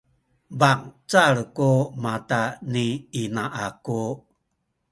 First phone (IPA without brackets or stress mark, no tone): b